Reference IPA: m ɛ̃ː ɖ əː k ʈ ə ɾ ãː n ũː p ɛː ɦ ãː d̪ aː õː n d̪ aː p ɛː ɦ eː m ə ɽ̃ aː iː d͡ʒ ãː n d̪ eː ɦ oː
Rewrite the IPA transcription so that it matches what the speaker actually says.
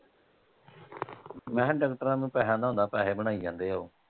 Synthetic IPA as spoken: m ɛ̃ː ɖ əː k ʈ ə ɾ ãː n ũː p ɛː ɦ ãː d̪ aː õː n d̪ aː p ɛː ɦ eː b ə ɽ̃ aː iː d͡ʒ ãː n d̪ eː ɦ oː